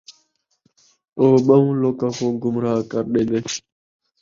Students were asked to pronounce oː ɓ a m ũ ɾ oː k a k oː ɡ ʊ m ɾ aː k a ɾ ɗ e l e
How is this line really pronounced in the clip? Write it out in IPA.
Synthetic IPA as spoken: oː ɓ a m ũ l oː k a k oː ɡ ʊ m ɾ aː k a ɾ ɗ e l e